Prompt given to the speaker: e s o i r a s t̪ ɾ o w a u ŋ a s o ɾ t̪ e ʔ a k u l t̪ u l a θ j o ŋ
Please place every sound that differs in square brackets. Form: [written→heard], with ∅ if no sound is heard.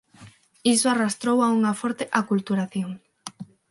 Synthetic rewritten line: [e→i] s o [i→a] r a s t̪ ɾ o w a u ŋ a [s→f] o ɾ t̪ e ʔ a k u l t̪ u [l→ɾ] a θ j o ŋ